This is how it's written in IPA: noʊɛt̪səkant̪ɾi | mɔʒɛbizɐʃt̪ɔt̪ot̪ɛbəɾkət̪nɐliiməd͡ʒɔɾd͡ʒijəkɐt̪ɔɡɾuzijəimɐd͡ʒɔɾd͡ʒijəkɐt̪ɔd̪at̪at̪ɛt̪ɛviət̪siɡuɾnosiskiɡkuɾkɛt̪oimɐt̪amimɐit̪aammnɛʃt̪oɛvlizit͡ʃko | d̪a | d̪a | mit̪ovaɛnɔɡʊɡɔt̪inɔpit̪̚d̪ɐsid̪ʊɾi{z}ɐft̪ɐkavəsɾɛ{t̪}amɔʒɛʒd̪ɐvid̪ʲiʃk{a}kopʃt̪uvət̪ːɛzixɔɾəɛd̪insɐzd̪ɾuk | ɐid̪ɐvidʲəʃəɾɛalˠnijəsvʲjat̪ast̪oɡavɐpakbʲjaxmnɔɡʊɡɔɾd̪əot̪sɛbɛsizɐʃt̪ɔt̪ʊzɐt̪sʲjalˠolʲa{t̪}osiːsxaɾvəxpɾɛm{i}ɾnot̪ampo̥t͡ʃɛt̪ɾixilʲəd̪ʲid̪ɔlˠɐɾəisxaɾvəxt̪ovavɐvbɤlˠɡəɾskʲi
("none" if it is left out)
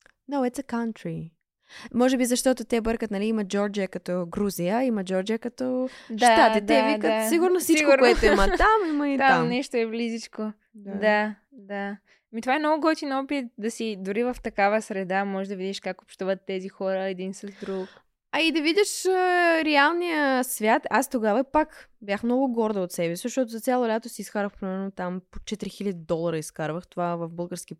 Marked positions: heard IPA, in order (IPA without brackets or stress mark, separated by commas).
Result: v, d̪, a, t̪, ɛ